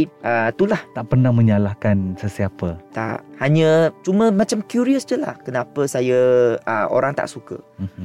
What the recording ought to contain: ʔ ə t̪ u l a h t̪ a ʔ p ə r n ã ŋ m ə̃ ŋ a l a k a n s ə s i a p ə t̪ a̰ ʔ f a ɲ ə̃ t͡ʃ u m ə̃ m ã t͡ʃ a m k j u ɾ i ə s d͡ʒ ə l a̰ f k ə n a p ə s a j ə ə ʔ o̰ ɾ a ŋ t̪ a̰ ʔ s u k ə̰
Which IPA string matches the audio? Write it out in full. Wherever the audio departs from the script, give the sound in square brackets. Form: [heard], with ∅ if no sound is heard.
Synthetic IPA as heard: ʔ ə t̪ u l a h t̪ a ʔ p ə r n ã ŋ m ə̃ [ɲ] a l a k a n s ə s i a p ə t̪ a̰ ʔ [h] a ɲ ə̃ t͡ʃ u m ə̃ m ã t͡ʃ a m k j u ɾ i ə s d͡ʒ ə l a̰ [h] k ə n a p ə s a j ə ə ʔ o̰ ɾ a ŋ t̪ a̰ ʔ s u k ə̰